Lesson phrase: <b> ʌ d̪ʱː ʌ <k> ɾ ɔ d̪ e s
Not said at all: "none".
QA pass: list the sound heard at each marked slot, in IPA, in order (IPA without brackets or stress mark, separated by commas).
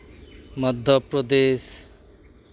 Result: m, p